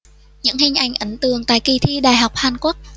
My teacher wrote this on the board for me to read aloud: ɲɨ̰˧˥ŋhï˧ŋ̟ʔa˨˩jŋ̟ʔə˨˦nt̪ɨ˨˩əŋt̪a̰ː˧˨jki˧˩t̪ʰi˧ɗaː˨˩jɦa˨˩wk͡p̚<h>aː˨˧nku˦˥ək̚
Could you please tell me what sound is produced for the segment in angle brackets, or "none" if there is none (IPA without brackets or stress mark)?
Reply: h